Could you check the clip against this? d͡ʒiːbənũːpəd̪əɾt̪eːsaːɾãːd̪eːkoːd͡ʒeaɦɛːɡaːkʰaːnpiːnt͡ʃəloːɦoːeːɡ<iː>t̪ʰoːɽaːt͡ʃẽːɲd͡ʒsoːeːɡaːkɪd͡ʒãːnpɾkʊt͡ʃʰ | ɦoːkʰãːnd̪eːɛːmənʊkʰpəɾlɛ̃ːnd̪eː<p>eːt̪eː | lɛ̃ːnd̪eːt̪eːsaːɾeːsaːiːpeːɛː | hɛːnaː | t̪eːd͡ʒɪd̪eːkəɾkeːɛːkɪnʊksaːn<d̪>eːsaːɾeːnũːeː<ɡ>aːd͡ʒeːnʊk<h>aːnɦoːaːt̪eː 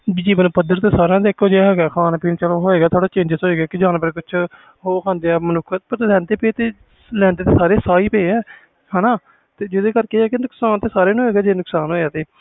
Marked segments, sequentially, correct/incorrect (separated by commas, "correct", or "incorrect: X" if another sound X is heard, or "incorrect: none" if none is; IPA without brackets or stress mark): incorrect: aː, correct, incorrect: t̪, correct, incorrect: s